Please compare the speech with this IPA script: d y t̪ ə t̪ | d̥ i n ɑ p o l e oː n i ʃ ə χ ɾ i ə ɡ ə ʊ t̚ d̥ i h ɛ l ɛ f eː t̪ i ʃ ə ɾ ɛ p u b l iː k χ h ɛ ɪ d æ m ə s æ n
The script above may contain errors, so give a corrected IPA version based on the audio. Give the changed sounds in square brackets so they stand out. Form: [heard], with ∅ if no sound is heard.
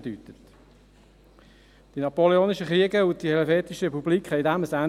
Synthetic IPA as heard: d y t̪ ə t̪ | d̥ i n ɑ p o l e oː n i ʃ ə χ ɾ i ə ɡ ə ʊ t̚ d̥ i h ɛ l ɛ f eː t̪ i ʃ ə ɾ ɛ p u b l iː k χ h ɛ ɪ d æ m ə s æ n